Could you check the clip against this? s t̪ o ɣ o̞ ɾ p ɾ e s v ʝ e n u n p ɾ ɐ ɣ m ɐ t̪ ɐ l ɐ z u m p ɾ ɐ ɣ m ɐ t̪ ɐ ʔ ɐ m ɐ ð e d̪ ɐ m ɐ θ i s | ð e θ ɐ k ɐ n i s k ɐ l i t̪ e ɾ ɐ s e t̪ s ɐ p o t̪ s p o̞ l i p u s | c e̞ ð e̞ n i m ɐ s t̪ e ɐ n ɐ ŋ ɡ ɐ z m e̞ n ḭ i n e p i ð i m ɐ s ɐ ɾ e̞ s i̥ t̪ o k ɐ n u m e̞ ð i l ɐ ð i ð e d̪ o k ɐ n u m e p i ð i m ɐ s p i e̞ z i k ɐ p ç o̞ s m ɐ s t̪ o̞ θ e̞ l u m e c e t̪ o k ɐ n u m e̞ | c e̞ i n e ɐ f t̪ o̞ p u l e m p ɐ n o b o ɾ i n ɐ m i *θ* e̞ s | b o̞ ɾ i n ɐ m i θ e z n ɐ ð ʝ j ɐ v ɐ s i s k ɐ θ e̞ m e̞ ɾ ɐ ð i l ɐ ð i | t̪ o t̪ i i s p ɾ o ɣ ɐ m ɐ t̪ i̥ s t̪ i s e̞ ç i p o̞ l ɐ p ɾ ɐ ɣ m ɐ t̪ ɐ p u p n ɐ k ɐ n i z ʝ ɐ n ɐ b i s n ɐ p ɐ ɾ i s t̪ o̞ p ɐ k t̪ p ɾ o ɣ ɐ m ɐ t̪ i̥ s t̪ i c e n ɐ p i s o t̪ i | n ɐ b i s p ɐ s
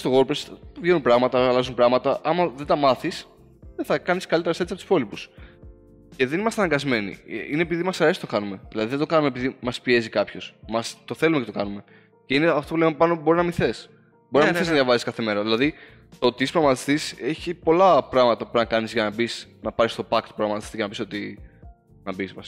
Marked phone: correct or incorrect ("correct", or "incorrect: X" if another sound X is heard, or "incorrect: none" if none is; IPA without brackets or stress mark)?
correct